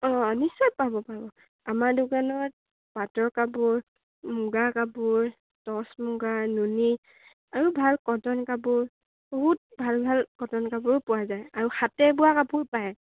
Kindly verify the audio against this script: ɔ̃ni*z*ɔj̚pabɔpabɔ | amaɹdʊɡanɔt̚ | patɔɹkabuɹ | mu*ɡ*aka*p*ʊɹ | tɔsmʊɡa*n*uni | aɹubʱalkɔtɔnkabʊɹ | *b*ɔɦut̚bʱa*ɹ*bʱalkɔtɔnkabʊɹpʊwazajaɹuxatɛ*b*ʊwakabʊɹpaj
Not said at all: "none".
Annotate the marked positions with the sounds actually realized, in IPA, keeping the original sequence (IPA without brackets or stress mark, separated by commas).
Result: s, ɡ, b, n, b, l, b